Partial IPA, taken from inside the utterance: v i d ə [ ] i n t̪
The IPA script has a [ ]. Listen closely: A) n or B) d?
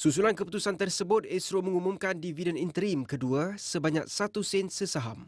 A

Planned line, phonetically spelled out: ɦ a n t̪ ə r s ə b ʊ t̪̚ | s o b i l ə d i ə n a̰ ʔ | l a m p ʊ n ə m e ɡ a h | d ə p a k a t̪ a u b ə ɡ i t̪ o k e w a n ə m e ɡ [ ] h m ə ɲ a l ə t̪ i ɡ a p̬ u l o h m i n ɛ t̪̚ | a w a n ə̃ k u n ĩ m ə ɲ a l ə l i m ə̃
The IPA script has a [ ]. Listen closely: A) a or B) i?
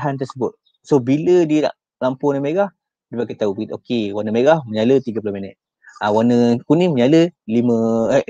A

